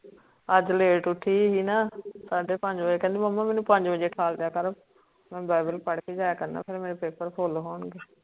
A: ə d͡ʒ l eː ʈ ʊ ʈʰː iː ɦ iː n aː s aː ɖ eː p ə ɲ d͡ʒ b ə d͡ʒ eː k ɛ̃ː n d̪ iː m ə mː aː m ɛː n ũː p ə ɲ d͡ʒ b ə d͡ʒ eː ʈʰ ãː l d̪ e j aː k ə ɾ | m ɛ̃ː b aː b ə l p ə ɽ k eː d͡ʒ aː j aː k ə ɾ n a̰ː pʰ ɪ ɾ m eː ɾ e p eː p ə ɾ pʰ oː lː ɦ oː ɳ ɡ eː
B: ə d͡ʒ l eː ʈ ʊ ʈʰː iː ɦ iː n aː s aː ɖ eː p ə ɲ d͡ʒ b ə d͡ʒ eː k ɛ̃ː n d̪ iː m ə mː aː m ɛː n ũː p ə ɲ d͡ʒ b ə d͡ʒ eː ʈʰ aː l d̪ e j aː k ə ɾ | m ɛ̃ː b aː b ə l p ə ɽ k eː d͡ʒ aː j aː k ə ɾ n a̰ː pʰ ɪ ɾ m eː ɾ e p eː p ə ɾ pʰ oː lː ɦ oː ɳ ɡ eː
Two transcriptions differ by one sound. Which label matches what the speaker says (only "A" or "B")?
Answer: B